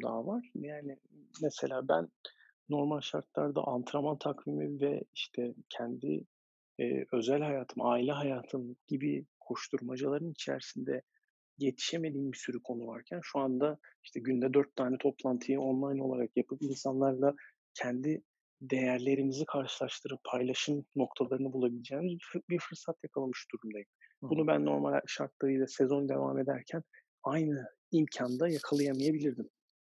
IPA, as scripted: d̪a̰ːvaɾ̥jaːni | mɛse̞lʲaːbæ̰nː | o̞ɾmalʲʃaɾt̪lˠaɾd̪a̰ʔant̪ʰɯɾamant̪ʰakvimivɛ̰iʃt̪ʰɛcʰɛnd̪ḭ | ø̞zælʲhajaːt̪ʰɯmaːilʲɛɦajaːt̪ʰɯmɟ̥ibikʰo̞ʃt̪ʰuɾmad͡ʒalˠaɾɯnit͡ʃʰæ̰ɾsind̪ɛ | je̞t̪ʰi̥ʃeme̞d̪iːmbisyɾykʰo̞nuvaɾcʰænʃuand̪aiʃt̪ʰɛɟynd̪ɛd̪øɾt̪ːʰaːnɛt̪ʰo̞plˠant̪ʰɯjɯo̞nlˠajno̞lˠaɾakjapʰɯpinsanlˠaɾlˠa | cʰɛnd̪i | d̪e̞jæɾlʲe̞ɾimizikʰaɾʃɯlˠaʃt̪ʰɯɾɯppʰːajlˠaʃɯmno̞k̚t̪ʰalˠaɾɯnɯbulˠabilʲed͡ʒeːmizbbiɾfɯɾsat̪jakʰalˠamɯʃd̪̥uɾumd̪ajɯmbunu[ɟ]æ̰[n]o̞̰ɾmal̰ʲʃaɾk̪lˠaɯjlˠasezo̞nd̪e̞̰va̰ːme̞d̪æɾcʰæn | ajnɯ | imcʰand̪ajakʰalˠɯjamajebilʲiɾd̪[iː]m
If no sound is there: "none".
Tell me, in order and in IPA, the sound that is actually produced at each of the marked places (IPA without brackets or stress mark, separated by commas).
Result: b, nː, i